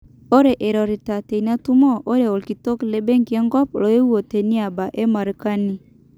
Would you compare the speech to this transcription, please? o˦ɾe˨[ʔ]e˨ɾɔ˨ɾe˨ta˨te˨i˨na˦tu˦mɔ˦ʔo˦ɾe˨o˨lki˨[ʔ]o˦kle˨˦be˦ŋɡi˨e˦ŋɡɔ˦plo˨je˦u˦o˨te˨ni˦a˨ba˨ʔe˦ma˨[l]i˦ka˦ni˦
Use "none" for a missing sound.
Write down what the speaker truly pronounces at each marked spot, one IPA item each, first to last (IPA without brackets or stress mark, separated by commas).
ʔ, t, ɾ